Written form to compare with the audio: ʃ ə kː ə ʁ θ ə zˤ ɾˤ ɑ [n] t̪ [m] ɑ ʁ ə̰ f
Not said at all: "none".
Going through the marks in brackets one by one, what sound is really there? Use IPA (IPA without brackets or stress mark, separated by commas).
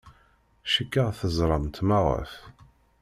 m, m